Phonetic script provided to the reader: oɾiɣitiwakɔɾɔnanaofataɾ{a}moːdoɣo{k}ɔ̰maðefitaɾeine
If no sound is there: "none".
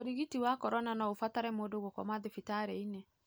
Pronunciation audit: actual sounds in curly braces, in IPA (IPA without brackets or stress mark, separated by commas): ɛ, k